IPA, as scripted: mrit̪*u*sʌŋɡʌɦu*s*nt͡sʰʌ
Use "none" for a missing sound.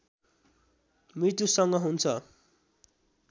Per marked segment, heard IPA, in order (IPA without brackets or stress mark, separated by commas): u, none